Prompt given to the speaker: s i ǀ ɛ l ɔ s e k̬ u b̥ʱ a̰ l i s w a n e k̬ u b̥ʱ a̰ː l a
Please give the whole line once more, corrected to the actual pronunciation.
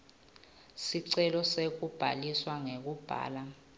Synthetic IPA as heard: s i ǀ ɛ l ɔ s e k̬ u b̥ʱ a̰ l i s w a ŋ e k̬ u b̥ʱ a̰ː l a